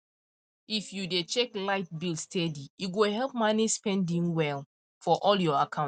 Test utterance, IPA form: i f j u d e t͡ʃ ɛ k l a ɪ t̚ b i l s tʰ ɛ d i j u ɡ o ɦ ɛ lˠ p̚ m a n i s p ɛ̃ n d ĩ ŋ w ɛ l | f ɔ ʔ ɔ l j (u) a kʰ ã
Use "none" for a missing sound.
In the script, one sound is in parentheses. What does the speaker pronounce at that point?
ɔ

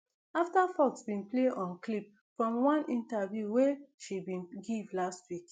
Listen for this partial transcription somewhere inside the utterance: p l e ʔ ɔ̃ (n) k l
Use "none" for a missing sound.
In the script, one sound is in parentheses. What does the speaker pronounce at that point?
n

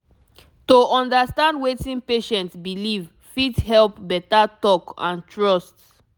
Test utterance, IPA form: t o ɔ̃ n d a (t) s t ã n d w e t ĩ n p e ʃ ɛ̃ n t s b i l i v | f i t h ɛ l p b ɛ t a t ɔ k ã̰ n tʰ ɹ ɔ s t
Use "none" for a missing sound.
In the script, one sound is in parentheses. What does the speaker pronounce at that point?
none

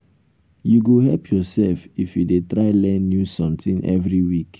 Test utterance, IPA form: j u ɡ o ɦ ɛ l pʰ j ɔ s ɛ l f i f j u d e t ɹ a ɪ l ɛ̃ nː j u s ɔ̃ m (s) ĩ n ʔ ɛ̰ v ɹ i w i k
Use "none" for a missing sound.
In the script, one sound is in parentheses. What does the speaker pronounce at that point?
t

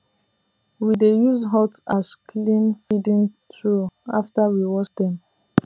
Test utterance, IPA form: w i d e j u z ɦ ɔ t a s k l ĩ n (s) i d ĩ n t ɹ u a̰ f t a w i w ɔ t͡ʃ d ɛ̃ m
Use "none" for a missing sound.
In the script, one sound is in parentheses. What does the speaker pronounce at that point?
f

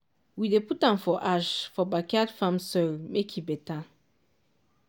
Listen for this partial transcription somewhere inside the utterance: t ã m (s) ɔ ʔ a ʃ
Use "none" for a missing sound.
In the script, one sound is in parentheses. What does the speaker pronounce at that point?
f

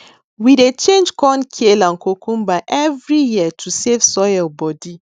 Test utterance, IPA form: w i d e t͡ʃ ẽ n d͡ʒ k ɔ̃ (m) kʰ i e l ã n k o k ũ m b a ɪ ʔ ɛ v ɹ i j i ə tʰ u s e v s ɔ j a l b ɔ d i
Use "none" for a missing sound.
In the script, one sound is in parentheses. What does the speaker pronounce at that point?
n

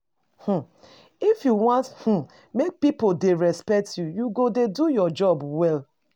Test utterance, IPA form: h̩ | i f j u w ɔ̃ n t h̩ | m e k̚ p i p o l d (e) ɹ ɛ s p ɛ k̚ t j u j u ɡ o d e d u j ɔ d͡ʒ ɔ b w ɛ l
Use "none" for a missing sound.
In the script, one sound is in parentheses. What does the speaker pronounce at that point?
e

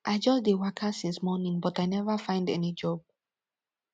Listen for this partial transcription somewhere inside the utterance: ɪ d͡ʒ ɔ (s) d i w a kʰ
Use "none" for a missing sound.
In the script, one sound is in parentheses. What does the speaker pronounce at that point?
s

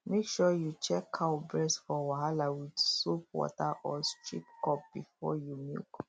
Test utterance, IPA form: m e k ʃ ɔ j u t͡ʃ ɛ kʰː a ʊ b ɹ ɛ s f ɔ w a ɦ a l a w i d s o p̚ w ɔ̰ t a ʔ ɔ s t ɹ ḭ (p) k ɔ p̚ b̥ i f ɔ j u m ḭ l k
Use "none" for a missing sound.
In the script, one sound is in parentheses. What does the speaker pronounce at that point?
p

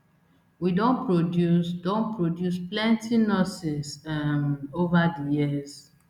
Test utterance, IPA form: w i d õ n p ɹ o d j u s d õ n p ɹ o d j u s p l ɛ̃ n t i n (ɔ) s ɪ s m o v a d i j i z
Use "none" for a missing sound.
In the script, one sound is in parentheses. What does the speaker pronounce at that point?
ɔ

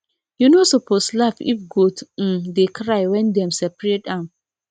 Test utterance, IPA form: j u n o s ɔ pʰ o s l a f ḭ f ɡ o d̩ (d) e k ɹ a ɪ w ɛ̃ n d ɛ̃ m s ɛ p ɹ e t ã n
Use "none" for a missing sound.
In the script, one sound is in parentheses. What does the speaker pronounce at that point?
d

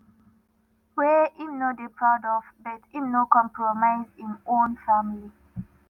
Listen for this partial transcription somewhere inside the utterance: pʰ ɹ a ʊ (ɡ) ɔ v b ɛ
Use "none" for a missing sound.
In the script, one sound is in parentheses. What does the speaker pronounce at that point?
d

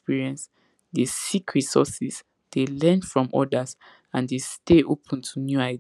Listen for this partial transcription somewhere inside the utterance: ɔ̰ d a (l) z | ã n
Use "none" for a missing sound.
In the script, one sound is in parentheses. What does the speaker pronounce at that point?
none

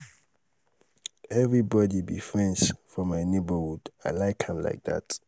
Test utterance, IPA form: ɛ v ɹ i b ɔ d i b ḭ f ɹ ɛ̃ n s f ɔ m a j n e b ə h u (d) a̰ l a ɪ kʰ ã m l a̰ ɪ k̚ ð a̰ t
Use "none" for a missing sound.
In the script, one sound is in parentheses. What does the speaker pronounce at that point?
d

